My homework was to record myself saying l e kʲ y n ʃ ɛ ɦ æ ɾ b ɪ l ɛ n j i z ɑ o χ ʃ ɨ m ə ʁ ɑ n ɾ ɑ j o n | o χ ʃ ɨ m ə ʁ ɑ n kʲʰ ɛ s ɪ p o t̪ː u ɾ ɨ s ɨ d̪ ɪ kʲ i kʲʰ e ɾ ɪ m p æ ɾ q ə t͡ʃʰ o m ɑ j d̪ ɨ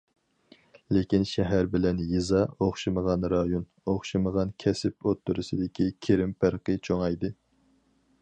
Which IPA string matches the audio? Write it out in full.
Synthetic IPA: l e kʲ i n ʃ ɛ ɦ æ ɾ b ɪ l ɛ n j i z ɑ o χ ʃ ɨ m ə ʁ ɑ n ɾ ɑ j o n | o χ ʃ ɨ m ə ʁ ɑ n kʲʰ ɛ s ɪ p o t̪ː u ɾ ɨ s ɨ d̪ ɪ kʲ i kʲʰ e ɾ ɪ m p æ ɾ q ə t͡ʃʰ o ŋ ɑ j d̪ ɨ